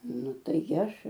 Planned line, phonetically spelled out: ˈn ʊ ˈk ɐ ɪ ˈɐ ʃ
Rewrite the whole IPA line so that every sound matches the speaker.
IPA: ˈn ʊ ˈt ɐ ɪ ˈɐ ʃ